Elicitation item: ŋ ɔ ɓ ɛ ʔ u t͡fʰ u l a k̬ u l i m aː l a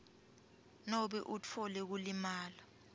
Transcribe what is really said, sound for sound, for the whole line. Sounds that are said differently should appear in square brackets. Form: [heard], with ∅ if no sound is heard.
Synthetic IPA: [n] ɔ ɓ ɛ ʔ u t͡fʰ [ɔ] l [ɛ] k̬ u l i m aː l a